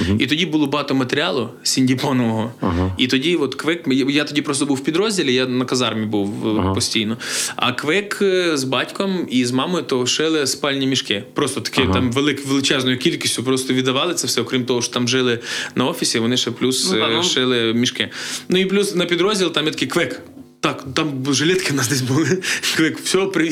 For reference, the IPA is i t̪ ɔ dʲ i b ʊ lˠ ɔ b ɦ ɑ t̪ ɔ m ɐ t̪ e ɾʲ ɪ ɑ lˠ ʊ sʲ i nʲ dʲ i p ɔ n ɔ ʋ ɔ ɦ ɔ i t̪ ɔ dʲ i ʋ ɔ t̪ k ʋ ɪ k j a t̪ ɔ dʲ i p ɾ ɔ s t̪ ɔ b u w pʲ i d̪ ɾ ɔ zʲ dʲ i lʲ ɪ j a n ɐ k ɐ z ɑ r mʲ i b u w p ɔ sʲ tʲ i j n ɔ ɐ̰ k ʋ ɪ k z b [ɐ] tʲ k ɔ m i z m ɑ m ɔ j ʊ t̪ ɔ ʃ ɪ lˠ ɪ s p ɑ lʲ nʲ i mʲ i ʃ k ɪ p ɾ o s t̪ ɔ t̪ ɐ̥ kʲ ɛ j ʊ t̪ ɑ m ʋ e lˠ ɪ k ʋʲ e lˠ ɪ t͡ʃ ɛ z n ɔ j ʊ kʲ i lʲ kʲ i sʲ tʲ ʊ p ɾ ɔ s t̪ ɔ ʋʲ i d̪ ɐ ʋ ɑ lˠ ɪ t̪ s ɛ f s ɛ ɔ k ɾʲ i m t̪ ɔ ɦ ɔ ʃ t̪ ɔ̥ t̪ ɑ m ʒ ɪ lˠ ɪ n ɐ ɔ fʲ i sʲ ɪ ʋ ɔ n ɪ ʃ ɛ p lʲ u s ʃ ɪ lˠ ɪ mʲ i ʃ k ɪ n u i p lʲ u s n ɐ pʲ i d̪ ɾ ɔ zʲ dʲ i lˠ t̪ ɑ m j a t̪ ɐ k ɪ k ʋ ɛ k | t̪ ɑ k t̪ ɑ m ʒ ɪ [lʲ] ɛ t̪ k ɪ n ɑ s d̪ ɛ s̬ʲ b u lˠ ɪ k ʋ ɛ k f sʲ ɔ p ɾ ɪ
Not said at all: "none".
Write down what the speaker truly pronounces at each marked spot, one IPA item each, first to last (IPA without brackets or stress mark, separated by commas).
ɑ, lʲ